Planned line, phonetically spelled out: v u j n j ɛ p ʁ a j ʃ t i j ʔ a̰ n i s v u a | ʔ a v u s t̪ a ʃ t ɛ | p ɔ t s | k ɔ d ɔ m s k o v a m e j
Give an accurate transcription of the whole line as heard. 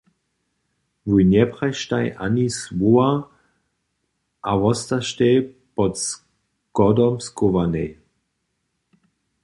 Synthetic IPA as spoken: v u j n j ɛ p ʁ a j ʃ t a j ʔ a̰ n i s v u a | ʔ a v ɔ s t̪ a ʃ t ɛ | p ɔ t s | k ɔ d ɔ m s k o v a n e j